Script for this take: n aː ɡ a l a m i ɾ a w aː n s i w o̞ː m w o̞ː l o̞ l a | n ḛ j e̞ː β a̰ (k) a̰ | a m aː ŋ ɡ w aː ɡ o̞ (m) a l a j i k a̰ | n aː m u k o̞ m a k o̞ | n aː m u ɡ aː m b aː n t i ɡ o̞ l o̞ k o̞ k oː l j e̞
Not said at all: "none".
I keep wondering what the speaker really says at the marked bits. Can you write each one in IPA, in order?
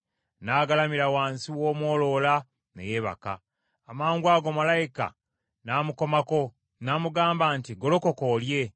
k, m

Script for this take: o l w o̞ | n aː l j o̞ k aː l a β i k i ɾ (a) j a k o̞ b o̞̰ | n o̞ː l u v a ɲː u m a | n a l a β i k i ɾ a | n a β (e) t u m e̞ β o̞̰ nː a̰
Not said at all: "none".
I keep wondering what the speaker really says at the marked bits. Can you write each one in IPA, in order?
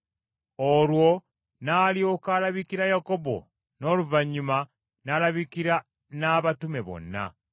a, a

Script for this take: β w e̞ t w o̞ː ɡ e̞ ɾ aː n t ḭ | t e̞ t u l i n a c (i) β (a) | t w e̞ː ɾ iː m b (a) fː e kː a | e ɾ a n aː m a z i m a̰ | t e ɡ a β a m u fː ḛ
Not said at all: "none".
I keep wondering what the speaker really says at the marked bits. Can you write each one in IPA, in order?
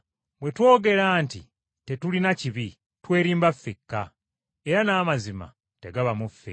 i, i, a

